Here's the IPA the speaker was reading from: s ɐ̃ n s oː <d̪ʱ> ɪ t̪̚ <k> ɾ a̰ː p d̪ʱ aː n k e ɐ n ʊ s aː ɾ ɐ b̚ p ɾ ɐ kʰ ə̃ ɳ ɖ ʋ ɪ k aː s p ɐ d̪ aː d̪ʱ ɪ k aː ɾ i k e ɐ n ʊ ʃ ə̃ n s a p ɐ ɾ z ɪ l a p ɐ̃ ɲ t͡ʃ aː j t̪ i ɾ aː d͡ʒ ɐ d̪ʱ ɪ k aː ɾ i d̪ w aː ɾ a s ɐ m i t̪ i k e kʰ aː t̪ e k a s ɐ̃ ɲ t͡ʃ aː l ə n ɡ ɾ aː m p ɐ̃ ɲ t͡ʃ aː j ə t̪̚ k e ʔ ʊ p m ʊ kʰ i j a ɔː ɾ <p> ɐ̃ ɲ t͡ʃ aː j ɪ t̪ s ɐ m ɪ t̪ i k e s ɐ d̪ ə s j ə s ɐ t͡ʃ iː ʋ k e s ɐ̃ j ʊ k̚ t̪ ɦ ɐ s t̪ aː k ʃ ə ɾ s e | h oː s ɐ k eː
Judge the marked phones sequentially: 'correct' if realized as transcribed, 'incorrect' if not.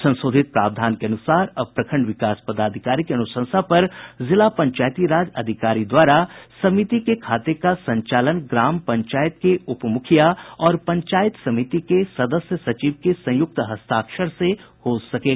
correct, incorrect, correct

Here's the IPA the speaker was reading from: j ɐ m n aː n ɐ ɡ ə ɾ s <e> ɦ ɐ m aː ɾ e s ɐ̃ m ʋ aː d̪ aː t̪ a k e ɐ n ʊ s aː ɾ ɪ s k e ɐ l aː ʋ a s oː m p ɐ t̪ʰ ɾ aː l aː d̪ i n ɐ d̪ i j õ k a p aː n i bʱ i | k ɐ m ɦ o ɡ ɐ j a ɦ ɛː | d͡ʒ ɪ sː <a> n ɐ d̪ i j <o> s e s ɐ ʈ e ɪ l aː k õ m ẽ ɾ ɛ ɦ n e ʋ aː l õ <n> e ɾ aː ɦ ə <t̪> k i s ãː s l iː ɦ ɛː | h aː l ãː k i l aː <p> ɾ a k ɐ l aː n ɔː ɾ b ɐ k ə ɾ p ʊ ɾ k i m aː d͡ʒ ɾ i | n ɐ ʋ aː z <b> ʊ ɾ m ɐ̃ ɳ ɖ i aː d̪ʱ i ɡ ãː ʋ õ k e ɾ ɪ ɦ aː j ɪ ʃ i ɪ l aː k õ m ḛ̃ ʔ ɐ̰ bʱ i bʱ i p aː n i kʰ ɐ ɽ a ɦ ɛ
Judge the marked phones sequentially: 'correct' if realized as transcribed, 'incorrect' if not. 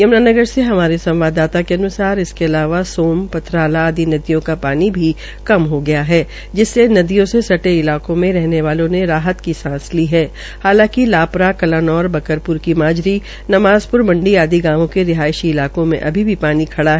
correct, incorrect, incorrect, correct, correct, correct, incorrect

